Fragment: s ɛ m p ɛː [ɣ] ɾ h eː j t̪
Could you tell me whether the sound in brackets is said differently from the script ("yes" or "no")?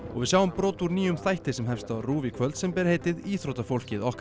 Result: yes